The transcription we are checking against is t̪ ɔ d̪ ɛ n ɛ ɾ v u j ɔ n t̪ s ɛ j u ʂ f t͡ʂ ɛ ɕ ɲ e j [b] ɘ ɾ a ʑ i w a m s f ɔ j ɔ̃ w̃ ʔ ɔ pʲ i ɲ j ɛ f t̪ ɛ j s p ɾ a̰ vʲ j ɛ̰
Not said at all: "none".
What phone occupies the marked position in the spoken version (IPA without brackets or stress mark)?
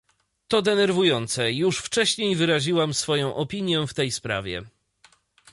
v